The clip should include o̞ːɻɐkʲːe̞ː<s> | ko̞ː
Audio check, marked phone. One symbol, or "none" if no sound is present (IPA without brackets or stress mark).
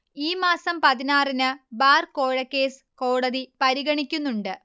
s